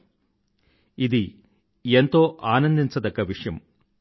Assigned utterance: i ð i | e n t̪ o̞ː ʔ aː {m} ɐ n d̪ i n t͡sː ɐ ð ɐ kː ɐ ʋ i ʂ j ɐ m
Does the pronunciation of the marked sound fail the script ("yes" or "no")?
yes